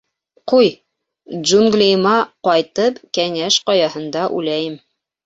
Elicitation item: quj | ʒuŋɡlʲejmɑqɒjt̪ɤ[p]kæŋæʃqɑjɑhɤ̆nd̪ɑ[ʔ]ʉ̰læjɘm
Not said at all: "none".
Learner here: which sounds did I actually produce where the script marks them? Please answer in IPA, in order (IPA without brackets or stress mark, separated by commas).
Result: p, ʔ